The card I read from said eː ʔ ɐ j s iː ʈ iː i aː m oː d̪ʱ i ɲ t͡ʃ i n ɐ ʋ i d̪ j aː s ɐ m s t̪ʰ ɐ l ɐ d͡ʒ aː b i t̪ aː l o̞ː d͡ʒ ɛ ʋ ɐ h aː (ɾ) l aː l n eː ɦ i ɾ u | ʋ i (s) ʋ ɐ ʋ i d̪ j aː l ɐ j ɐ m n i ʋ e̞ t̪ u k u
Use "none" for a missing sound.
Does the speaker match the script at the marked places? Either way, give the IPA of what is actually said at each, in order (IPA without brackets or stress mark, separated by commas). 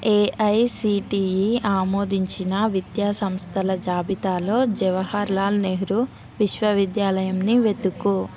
ɾ, ʃ